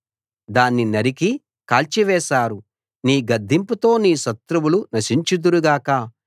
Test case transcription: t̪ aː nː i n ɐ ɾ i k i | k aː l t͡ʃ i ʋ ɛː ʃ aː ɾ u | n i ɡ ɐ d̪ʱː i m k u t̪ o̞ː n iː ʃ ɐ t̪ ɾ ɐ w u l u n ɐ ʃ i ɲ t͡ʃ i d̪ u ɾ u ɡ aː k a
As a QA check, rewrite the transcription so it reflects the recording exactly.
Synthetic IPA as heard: d̪ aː nː i n ɐ ɾ i k i | k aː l t͡ʃ i ʋ ɛː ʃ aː ɾ u | n iː ɡ ɐ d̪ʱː i m p u t̪ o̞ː n iː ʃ ɐ t̪ ɾ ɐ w u l u n ɐ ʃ i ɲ t͡ʃ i d̪ u ɾ u ɡ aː k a